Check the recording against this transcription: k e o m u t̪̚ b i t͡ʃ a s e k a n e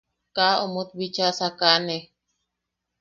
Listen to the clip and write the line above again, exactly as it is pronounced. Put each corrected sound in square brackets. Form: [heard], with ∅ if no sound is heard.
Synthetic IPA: k [a] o m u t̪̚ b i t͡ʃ a s [a] k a n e